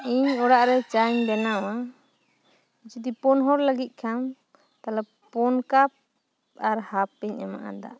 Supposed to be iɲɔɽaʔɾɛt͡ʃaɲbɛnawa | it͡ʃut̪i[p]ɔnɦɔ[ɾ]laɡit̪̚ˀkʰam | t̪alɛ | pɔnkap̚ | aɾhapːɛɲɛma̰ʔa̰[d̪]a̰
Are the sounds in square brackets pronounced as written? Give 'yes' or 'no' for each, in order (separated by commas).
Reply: yes, yes, yes